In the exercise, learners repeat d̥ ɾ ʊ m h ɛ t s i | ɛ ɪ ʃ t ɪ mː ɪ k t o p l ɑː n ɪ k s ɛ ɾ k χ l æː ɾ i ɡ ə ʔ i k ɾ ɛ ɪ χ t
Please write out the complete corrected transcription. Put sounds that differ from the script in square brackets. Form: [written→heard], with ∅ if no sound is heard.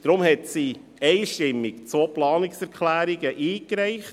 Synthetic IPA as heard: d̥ ɾ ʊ m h ɛ t s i | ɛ ɪ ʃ t ɪ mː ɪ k [t→t͡s] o p l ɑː n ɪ k s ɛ ɾ k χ l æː ɾ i ɡ ə ʔ [i→iː] k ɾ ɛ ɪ χ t